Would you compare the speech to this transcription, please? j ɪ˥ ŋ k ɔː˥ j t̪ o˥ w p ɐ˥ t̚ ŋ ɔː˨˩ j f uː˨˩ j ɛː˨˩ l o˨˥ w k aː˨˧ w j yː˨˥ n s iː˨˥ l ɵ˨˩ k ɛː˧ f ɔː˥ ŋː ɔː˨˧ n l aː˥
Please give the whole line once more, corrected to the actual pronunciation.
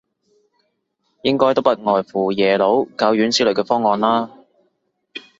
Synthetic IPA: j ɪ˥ ŋ k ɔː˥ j t̪ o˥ w p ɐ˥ t̚ ŋ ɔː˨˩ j f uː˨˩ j ɛː˨˩ l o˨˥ w k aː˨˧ w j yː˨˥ n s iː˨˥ l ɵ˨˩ k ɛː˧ f ɔː˥ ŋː ɔː˨˧ n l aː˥